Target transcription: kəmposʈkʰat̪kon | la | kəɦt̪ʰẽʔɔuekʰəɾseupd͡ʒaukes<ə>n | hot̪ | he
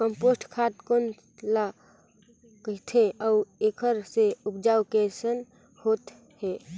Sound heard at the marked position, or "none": ə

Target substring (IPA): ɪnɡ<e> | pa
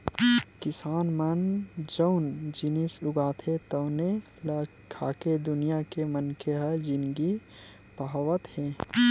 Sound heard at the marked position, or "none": i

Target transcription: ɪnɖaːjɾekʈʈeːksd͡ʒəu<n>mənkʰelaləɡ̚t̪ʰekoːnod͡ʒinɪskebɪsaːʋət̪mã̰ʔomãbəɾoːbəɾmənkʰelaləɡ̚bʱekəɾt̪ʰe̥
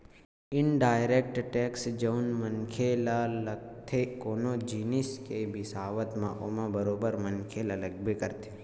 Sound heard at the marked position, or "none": n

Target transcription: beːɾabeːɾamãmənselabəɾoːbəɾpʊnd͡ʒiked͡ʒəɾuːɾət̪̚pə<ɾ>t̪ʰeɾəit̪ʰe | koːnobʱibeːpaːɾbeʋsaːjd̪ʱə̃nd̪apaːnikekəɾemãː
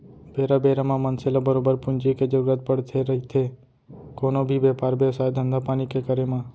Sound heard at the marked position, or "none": ɽ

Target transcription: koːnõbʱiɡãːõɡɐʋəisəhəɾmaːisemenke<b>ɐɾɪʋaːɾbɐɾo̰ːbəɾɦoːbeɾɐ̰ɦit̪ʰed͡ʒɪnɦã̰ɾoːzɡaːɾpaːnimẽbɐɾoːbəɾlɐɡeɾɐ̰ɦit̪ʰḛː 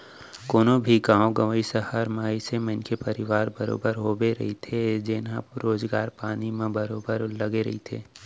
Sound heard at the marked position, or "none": p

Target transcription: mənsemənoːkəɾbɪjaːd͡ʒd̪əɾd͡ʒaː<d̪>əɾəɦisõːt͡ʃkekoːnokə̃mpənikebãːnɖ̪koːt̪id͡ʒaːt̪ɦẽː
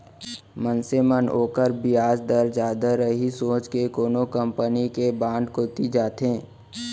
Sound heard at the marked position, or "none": d̪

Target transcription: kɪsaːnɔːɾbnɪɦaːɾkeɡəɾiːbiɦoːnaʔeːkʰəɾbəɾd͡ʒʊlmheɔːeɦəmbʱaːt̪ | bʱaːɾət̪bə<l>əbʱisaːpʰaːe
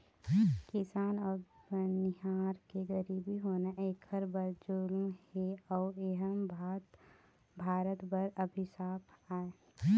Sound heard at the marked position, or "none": ɾ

